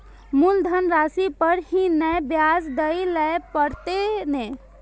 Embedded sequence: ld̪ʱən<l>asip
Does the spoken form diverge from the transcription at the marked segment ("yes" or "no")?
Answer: yes